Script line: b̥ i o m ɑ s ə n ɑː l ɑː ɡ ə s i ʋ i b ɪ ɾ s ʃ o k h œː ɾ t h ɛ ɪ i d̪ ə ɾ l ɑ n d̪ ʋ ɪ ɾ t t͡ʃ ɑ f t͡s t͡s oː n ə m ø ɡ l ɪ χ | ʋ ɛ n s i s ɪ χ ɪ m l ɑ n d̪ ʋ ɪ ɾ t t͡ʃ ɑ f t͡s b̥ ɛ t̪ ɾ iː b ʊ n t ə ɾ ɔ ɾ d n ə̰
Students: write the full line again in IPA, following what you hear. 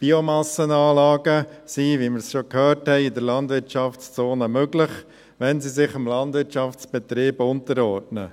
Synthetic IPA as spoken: b̥ i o m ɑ s ə n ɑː l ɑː ɡ ə s i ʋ i m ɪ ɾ s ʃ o k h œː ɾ t h ɛ ɪ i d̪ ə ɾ l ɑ n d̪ ʋ ɪ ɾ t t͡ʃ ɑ f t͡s t͡s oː n ə m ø ɡ l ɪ χ | ʋ ɛ n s i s ɪ χ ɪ m l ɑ n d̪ ʋ ɪ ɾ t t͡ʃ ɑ f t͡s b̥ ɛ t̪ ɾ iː b ʊ n t ə ɾ ɔ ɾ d n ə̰